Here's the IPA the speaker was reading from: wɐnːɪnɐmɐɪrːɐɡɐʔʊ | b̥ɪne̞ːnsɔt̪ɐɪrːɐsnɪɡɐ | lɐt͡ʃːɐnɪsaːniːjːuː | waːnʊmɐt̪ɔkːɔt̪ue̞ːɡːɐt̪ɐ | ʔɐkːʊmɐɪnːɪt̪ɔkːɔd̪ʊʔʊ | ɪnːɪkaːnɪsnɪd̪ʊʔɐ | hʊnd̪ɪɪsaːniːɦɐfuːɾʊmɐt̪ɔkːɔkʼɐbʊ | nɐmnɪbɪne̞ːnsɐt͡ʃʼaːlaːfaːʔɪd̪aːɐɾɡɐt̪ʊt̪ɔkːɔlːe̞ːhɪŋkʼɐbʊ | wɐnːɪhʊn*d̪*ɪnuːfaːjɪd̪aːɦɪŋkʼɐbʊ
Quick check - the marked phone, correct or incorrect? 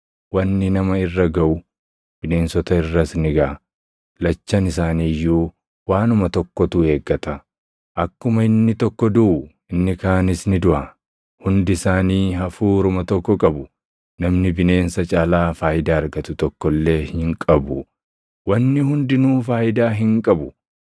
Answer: correct